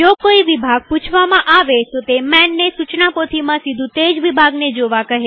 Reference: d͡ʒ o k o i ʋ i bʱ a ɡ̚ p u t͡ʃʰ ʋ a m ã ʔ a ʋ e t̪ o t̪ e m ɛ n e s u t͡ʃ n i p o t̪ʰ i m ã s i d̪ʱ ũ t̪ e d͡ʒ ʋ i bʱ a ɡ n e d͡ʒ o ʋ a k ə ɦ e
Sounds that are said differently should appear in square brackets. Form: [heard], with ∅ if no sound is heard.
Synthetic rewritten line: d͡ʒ o k o i ʋ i bʱ a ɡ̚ p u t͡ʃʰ ʋ a m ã ʔ a ʋ e t̪ o t̪ e m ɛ [nː] e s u t͡ʃ n [a] p o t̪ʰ i m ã s i d̪ʱ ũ t̪ e d͡ʒ ʋ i bʱ a ɡ n e d͡ʒ o ʋ a k ə ɦ e